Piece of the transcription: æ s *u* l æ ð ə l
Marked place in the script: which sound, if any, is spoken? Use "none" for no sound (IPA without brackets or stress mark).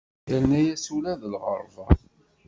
u